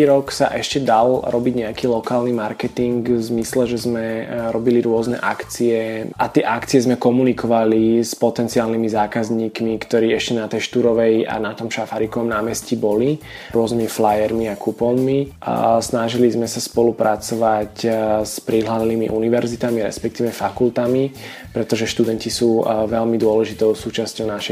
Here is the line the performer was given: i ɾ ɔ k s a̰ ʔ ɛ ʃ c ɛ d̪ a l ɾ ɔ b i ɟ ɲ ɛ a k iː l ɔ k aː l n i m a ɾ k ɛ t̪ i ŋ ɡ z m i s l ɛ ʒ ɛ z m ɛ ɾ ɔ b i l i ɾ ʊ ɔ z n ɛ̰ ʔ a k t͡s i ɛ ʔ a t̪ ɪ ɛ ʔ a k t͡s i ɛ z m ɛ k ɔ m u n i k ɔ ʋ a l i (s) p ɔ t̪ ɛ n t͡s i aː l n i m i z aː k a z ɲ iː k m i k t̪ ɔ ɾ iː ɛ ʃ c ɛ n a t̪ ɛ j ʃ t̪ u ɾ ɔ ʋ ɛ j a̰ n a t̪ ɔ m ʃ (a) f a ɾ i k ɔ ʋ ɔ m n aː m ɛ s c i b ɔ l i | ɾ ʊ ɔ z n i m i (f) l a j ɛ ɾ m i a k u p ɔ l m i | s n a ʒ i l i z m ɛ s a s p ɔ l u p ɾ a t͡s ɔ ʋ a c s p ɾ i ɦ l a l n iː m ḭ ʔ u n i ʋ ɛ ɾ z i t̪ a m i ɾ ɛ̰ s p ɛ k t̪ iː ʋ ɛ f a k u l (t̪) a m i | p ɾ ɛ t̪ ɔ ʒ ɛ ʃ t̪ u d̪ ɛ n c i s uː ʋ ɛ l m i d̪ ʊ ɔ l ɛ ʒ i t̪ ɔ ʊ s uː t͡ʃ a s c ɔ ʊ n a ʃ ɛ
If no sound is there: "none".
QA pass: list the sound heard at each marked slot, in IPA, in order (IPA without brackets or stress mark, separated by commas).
s, a, f, t̪